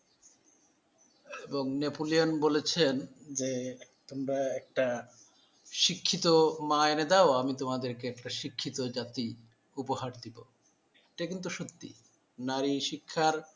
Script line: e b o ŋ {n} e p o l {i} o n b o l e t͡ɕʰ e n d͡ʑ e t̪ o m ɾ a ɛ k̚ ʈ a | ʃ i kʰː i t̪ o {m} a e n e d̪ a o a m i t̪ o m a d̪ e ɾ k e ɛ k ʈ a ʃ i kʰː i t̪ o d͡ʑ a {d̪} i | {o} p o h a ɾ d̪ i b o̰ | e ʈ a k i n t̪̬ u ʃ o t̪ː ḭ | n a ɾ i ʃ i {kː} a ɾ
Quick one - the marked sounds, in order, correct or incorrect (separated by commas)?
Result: correct, correct, correct, incorrect, incorrect, incorrect